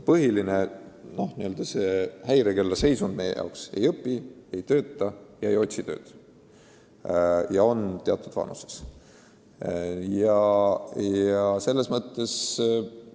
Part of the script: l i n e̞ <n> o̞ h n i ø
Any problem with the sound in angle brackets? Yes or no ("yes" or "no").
no